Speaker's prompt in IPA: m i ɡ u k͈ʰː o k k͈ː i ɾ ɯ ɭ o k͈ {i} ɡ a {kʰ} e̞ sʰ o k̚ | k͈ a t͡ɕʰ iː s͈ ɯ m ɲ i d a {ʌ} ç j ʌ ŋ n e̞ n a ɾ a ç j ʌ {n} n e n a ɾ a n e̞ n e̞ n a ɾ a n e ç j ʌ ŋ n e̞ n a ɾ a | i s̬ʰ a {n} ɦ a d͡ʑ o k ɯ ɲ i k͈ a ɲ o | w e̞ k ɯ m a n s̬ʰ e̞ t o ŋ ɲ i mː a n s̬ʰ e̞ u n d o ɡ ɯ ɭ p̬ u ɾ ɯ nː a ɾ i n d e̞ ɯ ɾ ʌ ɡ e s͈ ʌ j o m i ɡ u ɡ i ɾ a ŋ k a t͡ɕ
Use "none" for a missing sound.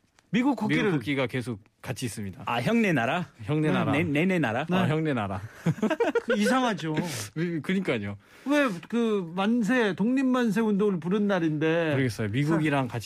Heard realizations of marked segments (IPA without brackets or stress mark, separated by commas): i, k, a, ŋ, ŋ